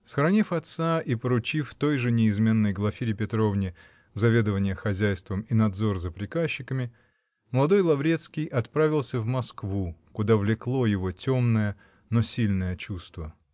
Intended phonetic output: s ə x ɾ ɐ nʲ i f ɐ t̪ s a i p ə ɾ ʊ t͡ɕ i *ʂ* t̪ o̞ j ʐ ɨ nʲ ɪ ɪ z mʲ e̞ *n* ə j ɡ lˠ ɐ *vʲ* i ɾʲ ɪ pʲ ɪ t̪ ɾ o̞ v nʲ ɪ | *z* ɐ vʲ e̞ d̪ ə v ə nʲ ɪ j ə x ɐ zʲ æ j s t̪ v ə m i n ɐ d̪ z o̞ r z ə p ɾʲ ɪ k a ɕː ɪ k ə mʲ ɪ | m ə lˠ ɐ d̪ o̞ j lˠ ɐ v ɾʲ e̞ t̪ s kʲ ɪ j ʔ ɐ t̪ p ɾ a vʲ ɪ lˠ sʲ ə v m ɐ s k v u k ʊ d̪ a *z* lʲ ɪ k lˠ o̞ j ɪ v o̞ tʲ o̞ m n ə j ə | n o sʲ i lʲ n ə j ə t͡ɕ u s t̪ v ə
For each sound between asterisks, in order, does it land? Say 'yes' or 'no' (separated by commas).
no, no, no, yes, no